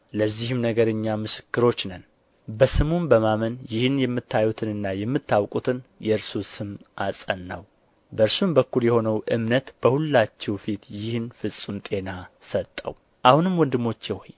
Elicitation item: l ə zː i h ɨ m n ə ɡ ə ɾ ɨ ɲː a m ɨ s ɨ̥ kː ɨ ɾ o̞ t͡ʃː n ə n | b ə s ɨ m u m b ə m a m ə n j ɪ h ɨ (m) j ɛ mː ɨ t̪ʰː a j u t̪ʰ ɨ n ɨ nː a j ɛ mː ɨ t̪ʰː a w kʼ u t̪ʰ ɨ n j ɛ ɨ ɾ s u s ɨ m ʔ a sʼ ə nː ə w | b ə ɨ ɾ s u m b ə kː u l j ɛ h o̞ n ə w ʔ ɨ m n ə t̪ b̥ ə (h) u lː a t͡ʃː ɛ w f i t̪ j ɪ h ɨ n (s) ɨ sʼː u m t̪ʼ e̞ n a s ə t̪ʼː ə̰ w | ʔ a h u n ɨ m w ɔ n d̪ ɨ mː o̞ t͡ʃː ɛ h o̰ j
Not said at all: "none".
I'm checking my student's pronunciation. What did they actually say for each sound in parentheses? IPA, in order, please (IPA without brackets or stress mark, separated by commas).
n, h, f